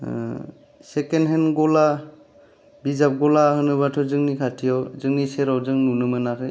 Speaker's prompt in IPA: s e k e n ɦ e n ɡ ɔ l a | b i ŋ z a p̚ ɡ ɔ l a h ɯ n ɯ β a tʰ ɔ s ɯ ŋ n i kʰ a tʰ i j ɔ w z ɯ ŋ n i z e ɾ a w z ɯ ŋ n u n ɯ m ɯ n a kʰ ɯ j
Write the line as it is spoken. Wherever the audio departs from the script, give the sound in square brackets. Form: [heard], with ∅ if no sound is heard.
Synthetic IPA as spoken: s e k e n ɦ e n ɡ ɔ l a | b i [∅] z a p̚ ɡ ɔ l a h ɯ n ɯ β a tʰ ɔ [z] ɯ ŋ n i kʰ a tʰ i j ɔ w z ɯ ŋ n i [s] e ɾ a w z ɯ ŋ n u n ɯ m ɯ n a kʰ ɯ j